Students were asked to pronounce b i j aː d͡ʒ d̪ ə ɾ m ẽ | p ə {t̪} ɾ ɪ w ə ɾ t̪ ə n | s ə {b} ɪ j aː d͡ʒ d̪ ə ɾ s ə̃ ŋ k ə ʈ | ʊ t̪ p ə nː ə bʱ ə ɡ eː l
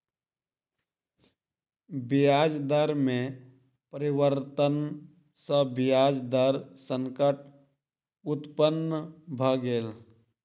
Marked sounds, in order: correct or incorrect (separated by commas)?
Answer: incorrect, correct